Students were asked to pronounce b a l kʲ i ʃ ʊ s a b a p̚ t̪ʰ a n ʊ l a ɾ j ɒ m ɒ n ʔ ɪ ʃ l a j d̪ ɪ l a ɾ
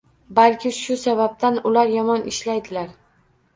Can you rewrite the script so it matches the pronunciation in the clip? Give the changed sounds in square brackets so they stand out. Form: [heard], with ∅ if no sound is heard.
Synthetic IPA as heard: b a l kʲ [ɪ] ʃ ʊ s a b a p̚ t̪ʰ a n ʊ l a ɾ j ɒ m ɒ n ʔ ɪ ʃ l a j d̪ ɪ l a ɾ